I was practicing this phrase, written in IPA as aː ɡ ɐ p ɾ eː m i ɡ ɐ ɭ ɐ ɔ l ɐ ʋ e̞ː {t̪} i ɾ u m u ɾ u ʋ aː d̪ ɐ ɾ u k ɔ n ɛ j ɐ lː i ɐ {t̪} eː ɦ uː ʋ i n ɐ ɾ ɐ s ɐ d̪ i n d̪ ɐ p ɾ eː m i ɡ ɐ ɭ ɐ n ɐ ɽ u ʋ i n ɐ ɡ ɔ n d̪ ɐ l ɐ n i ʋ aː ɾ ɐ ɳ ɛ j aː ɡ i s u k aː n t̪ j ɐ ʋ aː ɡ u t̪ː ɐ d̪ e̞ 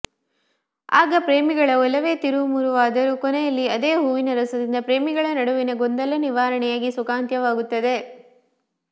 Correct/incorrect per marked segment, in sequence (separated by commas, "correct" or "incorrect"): correct, incorrect